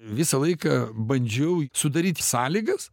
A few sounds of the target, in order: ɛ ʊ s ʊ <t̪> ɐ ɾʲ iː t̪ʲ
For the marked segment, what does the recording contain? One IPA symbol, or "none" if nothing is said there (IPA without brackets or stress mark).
d̪